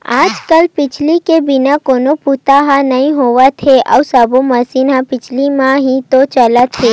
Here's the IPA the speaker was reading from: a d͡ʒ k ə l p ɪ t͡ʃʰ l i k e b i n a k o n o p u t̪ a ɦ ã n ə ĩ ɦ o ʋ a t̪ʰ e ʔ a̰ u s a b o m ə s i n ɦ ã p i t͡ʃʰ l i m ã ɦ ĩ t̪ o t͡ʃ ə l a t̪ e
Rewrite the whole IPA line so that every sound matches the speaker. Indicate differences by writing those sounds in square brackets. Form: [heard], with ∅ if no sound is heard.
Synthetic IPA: a d͡ʒ k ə l p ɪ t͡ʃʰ l i k e b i n a k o n o p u t̪ a ɦ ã n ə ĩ ɦ o ʋ a t̪ʰ e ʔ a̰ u s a b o m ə s i n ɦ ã p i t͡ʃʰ l i m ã ɦ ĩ t̪ o t͡ʃ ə l a [t̪ʰ] e